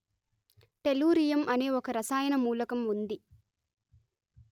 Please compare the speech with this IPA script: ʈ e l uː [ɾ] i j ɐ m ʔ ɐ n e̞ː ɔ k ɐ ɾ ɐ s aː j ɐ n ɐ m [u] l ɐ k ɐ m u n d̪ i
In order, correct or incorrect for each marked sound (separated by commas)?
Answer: correct, incorrect